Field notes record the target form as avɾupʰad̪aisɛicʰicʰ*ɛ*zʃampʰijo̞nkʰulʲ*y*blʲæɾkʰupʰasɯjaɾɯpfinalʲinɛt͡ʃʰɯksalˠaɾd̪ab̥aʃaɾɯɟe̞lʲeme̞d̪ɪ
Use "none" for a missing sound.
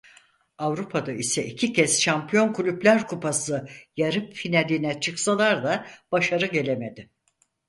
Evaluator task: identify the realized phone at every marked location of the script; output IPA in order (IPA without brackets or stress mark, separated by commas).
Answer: ɛ, y